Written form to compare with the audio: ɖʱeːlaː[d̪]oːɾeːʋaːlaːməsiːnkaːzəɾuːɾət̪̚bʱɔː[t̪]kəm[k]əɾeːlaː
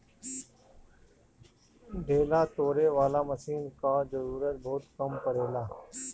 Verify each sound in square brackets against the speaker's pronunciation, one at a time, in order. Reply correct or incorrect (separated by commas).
incorrect, correct, incorrect